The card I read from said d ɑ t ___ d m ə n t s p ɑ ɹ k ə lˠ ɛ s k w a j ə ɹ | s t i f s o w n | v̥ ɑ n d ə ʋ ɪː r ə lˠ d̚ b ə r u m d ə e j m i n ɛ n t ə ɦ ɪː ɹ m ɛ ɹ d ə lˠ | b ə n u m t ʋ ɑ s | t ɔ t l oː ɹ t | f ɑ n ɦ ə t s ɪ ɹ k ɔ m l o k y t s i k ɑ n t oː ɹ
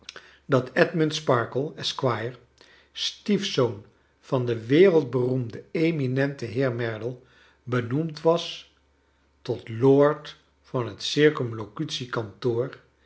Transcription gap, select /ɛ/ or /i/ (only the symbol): ɛ